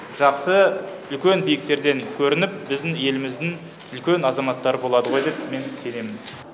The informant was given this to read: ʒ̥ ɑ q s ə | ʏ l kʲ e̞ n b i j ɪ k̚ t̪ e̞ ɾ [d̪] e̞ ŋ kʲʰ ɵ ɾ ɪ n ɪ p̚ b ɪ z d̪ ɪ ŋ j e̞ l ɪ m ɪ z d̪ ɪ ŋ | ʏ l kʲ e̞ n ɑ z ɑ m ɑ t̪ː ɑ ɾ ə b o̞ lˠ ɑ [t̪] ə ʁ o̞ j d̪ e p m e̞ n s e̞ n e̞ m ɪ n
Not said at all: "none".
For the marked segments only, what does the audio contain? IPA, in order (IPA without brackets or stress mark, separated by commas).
d̪, d̪